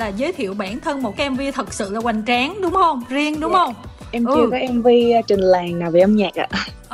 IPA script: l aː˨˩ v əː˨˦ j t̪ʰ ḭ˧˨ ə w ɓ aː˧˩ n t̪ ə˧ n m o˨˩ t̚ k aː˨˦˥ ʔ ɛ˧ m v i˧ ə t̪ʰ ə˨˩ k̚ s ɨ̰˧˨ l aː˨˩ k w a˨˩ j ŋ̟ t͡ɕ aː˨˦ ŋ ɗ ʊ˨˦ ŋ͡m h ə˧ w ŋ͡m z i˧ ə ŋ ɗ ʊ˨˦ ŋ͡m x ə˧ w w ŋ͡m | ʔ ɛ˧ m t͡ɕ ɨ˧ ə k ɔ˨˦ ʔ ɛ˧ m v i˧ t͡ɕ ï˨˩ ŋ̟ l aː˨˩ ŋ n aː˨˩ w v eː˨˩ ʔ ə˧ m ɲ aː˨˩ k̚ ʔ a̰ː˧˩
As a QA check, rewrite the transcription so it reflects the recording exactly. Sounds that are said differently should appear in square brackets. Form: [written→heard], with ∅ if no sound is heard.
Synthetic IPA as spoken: l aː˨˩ [v→z] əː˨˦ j t̪ʰ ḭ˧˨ ə w ɓ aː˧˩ n [t̪→t̪ʰ] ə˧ n m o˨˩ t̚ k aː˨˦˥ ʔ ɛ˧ m v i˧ ə t̪ʰ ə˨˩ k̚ s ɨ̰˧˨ l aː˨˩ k w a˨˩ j ŋ̟ t͡ɕ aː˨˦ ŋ ɗ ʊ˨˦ ŋ͡m h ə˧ w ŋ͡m z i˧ ə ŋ ɗ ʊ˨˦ ŋ͡m [x→h] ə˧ w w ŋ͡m | ʔ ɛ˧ m t͡ɕ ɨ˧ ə k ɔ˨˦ ʔ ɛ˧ m v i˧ t͡ɕ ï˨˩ ŋ̟ l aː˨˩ ŋ n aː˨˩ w v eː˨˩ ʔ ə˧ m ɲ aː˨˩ k̚ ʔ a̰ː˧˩